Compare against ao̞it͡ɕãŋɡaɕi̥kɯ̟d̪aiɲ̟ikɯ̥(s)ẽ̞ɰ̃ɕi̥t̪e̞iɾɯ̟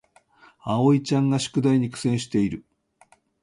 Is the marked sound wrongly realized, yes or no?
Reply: no